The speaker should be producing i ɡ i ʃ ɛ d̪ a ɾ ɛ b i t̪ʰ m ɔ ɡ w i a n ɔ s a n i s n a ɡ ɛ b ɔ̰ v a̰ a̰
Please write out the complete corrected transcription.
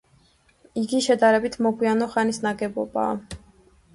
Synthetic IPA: i ɡ i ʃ ɛ d̪ a ɾ ɛ b i t̪ʰ m ɔ ɡ w i a n ɔ χ a n i s n a ɡ ɛ b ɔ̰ b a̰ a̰